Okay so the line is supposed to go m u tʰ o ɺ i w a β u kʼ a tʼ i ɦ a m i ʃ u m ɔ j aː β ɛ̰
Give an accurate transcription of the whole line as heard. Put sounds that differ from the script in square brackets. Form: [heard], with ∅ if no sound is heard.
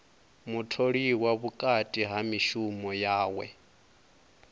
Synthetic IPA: m u tʰ o ɺ i w a β u kʼ a tʼ i ɦ a m i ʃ u m ɔ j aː [w] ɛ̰